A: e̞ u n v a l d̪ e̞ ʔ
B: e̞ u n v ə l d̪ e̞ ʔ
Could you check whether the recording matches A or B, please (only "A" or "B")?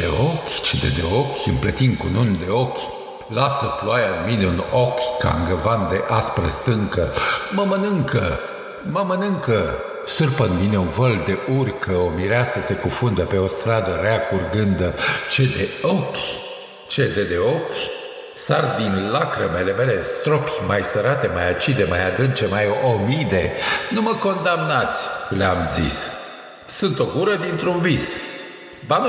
B